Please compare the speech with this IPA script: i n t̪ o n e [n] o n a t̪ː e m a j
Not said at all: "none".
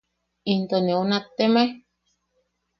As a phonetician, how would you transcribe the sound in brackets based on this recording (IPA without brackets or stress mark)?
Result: none